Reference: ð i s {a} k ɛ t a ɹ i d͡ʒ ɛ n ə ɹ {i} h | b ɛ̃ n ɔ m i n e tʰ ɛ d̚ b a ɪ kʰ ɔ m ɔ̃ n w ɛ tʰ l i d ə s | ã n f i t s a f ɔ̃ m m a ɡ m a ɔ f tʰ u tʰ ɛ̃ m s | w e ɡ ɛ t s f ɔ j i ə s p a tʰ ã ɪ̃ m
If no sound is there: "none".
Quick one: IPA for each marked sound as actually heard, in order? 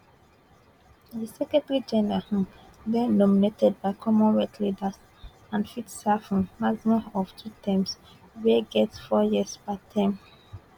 ɛ, a

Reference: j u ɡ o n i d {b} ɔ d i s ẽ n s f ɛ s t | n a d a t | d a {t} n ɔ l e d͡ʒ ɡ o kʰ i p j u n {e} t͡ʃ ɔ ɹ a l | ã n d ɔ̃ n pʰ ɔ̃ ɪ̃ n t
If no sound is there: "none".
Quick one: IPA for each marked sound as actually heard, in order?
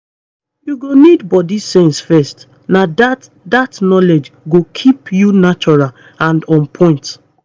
b, t, a

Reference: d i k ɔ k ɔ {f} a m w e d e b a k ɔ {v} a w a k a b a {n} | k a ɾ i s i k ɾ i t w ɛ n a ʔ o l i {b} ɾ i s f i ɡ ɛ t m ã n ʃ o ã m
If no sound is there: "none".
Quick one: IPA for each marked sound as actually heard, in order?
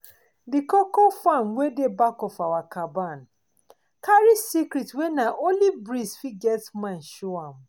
f, f, n, b

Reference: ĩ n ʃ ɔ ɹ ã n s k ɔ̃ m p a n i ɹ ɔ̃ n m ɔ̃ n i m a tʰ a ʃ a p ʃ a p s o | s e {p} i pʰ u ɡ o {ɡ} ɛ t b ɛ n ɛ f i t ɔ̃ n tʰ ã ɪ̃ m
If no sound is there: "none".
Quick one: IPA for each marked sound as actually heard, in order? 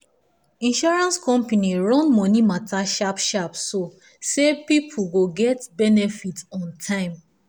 p, ɡ

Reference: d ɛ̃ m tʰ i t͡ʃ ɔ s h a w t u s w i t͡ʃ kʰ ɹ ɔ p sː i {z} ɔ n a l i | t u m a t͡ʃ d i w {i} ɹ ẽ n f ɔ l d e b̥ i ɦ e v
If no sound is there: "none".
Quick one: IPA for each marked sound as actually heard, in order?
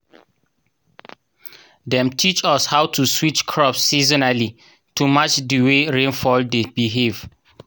z, e

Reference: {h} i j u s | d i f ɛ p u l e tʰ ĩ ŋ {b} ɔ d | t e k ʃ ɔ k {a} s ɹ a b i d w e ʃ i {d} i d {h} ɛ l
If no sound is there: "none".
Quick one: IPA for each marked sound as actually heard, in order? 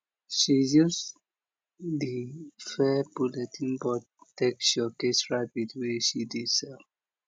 ʃ, b, e, d, s

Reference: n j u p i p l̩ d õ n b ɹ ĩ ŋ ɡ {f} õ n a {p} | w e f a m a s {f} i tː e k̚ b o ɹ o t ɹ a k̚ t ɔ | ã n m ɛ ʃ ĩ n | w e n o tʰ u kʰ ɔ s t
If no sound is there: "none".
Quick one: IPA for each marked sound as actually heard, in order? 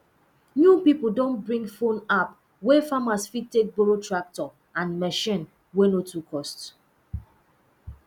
f, p, f

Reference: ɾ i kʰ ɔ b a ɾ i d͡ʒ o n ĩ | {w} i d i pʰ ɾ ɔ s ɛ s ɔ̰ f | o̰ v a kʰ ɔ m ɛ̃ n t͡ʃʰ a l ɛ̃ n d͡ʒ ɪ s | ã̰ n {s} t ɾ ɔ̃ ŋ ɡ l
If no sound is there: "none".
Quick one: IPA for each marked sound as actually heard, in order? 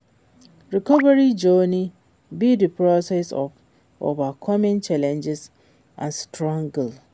b, s

